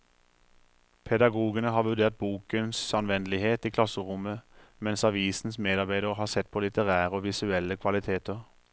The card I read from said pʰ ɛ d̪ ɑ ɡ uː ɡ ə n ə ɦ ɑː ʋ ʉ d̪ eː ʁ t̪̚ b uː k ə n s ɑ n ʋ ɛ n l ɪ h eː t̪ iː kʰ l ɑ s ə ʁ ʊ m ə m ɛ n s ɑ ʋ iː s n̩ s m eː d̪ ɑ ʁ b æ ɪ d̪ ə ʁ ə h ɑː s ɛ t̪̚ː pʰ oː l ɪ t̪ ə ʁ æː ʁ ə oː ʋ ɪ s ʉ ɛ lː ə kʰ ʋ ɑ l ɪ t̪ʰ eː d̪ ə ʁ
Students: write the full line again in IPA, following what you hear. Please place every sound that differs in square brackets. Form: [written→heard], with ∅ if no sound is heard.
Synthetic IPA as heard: pʰ ɛ d̪ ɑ ɡ uː ɡ ə n ə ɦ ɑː ʋ ʉ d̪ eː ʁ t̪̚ b uː k ə n s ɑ n ʋ ɛ n l ɪ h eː t̪ iː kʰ l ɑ s ə ʁ ʊ m ə m ɛ n s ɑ ʋ iː s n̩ s m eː d̪ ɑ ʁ b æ ɪ d̪ ə ʁ ə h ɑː s ɛ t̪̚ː pʰ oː l ɪ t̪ ə ʁ æː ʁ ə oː ʋ ɪ s ʉ ɛ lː ə kʰ ʋ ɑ l ɪ t̪ʰ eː [d̪→t̪] ə ʁ